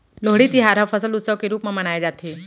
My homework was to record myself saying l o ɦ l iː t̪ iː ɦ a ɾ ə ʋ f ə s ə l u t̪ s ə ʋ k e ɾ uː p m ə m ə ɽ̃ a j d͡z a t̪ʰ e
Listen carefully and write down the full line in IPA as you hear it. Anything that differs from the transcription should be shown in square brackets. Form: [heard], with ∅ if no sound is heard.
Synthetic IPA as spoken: l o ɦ [ɽ] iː t̪ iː ɦ a ɾ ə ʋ f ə s ə l u t̪ s ə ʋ k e ɾ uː p m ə m ə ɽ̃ a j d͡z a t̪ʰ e